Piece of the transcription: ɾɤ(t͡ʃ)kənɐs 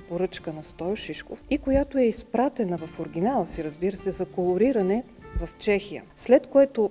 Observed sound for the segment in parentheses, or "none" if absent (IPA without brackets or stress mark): t͡ʃ